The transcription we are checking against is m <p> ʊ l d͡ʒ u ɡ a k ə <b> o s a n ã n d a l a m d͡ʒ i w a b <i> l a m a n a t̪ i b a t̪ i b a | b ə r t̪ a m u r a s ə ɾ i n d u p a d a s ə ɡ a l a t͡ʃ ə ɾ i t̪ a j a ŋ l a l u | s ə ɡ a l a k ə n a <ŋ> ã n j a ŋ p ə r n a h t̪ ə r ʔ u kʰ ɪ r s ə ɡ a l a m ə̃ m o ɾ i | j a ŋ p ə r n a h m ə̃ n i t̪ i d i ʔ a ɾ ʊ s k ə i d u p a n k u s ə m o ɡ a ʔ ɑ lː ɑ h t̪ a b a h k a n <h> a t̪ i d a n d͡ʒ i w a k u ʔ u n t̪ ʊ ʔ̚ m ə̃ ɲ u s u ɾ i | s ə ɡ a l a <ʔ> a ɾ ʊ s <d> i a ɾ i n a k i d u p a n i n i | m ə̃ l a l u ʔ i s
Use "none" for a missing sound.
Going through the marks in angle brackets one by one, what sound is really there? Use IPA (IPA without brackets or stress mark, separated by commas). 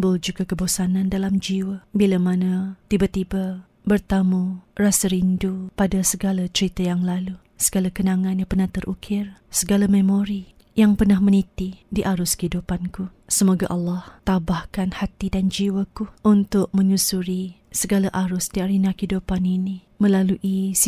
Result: b, b, i, ŋ, h, ʔ, d